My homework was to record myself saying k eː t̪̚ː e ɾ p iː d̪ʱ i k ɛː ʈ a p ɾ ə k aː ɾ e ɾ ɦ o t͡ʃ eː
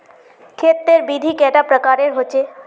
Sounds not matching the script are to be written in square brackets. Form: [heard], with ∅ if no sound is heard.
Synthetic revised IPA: [kʰ] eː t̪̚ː e ɾ [b] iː d̪ʱ i k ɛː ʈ a p ɾ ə k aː ɾ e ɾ ɦ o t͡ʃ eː